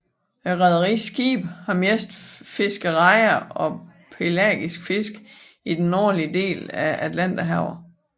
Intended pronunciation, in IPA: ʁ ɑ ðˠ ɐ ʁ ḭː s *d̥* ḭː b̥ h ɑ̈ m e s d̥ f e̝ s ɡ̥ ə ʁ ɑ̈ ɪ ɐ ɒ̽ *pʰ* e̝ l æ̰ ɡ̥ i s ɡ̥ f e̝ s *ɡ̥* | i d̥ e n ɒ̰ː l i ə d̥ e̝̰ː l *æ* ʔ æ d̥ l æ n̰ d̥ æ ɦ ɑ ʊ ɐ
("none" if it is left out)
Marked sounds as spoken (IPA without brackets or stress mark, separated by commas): ɡ̥, pʰ, ɡ̥, æ